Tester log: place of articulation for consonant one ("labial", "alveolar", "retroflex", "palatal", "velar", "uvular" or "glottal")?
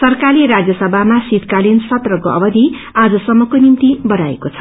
alveolar